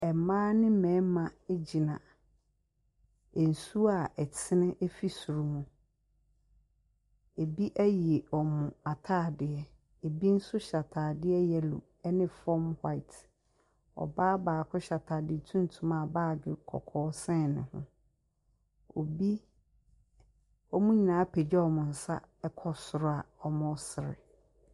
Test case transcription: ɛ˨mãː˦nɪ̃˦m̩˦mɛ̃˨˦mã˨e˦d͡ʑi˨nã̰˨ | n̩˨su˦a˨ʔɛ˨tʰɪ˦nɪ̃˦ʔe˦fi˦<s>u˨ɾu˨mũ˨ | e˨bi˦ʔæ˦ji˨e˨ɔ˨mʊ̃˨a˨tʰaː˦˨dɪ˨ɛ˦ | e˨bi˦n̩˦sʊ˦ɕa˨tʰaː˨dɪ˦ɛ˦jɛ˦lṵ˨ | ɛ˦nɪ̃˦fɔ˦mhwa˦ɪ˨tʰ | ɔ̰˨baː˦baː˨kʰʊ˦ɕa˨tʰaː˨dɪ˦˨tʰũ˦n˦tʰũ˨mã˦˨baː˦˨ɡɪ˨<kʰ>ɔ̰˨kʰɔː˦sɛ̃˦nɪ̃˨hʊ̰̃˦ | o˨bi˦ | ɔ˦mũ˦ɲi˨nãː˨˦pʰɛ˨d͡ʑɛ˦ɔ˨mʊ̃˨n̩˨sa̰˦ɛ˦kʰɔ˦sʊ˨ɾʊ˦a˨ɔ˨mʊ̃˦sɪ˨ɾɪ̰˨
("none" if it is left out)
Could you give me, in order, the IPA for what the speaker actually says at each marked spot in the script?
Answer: s, kʰ

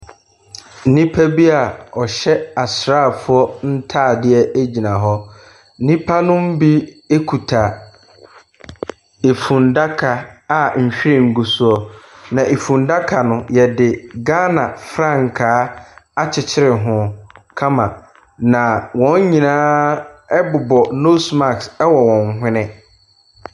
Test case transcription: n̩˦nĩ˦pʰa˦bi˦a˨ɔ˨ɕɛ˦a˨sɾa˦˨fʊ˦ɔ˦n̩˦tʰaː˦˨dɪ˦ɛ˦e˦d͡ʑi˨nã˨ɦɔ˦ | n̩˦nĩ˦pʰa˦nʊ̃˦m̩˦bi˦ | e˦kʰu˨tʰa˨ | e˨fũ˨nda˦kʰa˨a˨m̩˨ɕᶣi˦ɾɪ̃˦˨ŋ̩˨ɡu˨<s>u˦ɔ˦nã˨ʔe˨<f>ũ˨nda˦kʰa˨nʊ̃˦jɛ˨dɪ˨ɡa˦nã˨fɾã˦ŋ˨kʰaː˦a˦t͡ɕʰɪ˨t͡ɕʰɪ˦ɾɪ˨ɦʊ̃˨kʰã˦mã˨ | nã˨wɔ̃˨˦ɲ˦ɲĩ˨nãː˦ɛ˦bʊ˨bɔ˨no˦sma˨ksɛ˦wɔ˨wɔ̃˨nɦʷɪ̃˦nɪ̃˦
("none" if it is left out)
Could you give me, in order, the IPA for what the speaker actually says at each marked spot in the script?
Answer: s, f

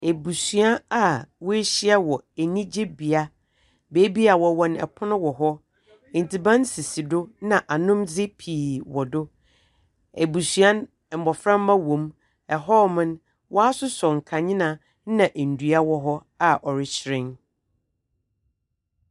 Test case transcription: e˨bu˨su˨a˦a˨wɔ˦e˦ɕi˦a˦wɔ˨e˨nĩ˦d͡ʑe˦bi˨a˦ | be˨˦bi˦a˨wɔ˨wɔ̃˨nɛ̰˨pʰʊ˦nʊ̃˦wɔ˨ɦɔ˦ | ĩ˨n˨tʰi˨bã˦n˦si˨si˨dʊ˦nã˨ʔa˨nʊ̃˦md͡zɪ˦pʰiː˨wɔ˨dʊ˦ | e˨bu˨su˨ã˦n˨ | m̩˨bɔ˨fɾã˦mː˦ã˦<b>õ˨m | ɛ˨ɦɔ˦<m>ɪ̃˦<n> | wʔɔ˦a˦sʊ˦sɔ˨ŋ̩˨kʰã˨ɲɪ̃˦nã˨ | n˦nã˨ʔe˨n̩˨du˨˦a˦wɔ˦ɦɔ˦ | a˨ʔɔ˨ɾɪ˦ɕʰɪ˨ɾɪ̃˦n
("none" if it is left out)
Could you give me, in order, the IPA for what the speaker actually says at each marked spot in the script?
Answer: w, m, n

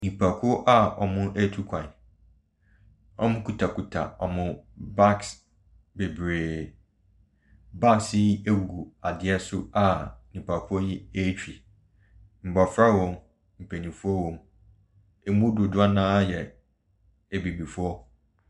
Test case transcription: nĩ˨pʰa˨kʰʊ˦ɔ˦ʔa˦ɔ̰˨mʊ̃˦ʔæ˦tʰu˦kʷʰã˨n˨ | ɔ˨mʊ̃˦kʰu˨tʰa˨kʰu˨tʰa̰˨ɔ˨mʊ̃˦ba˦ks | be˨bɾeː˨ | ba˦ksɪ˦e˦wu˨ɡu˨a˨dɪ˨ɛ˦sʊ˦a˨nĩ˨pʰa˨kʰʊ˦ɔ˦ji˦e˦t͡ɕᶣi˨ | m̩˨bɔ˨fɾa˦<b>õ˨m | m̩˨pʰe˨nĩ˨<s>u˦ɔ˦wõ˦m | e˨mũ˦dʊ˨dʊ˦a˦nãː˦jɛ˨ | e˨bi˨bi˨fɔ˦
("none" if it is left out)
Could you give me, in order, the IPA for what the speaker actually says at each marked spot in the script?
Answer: w, f

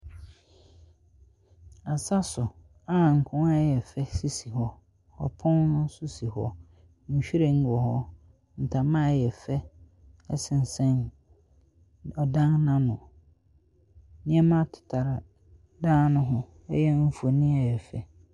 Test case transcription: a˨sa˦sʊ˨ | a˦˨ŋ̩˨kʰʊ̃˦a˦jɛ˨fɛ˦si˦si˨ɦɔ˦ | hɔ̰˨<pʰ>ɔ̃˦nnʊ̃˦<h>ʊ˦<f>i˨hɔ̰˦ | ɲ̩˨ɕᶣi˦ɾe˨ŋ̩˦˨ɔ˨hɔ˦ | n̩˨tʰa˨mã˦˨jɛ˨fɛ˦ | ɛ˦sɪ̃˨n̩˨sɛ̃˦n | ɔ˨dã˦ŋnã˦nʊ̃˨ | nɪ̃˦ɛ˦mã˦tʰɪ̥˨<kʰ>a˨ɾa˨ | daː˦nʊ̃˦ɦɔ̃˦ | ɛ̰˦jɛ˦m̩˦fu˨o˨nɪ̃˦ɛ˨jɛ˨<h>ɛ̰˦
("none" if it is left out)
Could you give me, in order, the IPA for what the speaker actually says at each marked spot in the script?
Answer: pʰ, s, s, tʰ, f

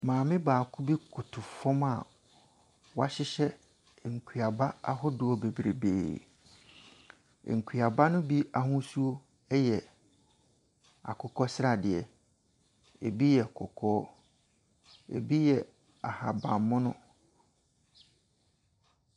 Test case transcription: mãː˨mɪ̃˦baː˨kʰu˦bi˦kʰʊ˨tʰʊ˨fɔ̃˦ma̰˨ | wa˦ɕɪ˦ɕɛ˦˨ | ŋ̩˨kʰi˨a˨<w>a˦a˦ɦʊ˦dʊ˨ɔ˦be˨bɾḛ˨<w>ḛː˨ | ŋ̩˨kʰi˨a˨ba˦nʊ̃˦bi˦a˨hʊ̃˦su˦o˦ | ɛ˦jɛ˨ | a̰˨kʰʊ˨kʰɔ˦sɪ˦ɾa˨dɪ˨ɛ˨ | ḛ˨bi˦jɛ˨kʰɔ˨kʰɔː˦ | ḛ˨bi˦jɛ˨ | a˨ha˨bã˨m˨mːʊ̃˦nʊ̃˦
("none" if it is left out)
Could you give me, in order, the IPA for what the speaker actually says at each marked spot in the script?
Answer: b, b

